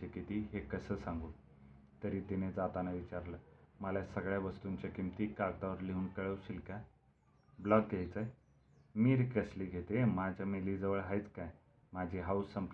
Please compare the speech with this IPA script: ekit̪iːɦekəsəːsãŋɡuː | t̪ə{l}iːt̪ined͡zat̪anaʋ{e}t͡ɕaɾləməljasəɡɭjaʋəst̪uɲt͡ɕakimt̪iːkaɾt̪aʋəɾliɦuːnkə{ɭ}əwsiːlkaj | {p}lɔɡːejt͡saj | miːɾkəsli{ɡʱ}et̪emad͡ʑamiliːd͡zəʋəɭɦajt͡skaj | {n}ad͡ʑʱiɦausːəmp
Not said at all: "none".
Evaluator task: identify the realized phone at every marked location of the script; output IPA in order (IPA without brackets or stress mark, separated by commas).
ɾ, i, ɭ, b, ɡʱ, m